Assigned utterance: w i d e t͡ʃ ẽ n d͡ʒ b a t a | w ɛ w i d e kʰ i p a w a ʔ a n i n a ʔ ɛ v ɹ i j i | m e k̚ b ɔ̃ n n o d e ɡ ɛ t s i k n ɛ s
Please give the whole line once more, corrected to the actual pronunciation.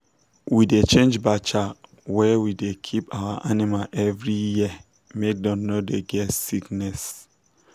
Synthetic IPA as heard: w i d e t͡ʃ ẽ n d͡ʒ b a t͡ʃ a | w ɛ w i d e kʰ i p a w a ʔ a n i m a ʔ ɛ v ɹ i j i | m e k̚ d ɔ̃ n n o d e ɡ ɛ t s i k n ɛ s

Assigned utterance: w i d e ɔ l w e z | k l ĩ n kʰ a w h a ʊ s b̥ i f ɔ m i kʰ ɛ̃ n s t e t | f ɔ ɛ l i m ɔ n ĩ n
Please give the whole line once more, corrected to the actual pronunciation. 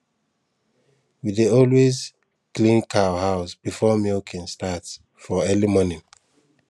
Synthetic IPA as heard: w i d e ɔ l w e z | k l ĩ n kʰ a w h a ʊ s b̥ i f ɔ m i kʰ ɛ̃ n s t a t | f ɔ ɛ l i m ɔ n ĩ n

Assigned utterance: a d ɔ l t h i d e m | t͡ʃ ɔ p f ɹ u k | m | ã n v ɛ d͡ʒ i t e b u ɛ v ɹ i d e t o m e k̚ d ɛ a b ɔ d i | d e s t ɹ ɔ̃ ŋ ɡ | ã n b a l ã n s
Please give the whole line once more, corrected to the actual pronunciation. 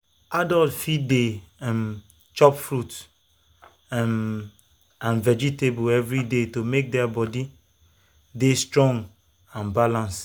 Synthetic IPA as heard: a d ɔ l t f i d e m | t͡ʃ ɔ p f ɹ u t | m | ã n v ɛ d͡ʒ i t e b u ɛ v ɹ i d e t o m e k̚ d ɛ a b ɔ d i | d e s t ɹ ɔ̃ ŋ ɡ | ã n b a l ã n s

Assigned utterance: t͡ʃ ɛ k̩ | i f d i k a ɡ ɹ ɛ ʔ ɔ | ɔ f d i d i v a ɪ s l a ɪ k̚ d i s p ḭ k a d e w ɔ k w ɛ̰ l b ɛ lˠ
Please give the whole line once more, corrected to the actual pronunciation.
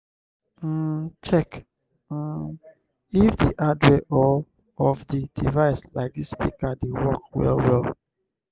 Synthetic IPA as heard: t͡ʃ ɛ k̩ | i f d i ʔ a d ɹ ɛ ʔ ɔ | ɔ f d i d i v a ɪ s l a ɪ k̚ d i s p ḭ k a d e w ɔ k w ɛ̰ l w ɛ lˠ

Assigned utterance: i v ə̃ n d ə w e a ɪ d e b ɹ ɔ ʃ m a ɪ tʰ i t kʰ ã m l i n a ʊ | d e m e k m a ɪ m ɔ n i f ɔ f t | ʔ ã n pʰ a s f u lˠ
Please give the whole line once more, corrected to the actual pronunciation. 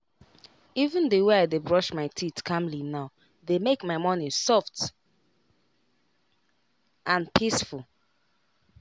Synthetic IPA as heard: i v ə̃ n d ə w e a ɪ d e b ɹ ɔ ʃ m a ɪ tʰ i t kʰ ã m l i n a ʊ | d e m e k m a ɪ m ɔ n i s ɔ f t | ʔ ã n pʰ i s f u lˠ

